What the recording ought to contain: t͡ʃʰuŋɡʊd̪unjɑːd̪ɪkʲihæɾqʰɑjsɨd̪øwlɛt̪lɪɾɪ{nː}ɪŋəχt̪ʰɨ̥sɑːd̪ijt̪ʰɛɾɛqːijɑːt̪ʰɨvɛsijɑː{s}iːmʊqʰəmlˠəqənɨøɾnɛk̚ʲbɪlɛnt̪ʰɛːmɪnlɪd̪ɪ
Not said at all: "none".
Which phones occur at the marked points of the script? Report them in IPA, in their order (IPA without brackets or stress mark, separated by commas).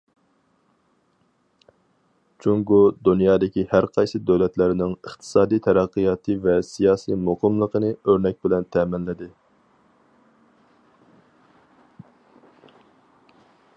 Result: n, s